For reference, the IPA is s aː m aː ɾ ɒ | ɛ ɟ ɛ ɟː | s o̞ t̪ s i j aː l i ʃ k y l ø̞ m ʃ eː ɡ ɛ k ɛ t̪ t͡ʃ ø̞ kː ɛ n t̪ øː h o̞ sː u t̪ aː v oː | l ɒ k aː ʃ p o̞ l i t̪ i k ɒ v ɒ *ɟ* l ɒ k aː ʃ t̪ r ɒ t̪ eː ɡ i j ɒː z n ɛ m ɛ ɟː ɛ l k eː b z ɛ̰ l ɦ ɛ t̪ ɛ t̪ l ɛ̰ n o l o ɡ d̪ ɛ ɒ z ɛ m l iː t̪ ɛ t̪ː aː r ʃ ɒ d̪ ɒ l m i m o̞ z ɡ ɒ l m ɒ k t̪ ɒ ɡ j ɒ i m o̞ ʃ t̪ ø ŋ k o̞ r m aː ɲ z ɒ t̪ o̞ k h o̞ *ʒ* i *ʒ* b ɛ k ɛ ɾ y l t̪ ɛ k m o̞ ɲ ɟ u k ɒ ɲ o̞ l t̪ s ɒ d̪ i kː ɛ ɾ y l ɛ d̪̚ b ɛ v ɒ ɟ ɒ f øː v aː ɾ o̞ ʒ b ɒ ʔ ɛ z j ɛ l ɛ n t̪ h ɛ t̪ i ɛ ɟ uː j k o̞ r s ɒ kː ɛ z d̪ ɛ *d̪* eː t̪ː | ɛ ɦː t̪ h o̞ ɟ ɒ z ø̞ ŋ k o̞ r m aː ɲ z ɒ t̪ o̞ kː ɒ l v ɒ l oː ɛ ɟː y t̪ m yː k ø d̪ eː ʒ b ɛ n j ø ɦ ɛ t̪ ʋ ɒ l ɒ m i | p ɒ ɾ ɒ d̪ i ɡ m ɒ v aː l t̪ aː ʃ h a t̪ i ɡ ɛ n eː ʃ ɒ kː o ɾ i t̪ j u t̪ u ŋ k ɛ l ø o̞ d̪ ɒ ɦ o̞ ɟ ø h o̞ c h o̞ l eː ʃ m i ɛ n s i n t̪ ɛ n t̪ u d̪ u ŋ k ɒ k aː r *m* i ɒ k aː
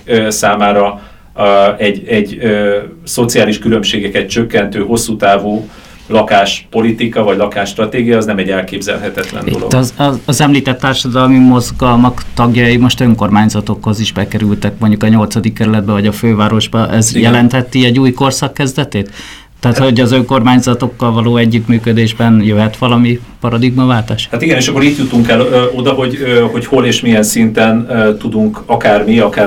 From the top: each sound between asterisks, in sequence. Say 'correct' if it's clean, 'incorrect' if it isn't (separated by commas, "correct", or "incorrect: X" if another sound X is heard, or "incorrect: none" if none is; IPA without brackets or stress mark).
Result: correct, incorrect: z, correct, incorrect: t̪, correct